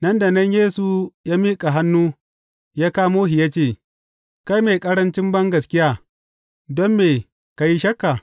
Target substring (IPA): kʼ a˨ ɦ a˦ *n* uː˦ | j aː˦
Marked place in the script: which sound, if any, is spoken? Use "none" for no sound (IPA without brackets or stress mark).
nː